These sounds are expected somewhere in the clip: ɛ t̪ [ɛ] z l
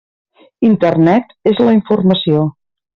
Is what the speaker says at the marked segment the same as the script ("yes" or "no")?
no